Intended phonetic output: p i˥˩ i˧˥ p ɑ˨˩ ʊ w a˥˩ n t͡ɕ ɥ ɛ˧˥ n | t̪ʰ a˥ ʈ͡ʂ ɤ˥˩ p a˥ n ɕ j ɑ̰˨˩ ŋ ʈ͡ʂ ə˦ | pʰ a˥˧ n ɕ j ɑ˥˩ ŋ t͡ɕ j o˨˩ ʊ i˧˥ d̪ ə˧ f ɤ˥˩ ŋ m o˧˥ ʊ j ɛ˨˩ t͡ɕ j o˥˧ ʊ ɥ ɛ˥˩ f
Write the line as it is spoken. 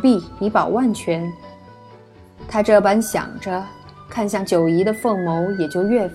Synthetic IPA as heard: p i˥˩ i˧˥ p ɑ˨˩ ʊ w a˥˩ n t͡ɕʰ ɥ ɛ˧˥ n | t̪ʰ a˥ ʈ͡ʂ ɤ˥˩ p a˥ n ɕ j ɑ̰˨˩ ŋ ʈ͡ʂ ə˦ | kʰ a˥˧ n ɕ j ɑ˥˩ ŋ t͡ɕ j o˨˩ ʊ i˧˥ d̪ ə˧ f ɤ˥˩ ŋ m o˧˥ ʊ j ɛ˨˩ t͡ɕ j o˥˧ ʊ ɥ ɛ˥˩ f